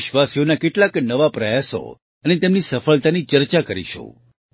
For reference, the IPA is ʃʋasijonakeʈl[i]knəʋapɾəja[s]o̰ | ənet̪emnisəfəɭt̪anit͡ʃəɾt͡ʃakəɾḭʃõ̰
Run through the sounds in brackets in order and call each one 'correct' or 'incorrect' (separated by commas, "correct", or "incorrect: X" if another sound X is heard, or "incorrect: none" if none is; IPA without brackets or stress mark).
incorrect: a, correct